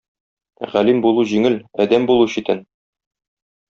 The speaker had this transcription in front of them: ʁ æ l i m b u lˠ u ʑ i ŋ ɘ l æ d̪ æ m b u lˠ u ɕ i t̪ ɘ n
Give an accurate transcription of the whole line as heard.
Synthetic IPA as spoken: ʁ æ l i m b u lˠ u ʑ i ŋ ɘ l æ d̪ æ m b u lˠ u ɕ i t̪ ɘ n